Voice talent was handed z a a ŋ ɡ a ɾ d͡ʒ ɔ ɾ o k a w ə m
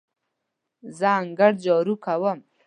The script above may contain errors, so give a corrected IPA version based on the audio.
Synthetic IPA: z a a ŋ ɡ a ɽ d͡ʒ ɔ ɾ u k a w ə m